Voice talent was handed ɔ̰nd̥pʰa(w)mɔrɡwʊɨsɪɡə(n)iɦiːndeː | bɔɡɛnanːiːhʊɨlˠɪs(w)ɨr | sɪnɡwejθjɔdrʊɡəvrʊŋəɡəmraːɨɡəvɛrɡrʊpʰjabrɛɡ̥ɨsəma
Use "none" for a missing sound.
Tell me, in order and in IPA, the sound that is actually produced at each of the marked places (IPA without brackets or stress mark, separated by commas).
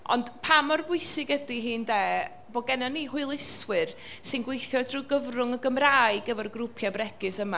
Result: none, d, w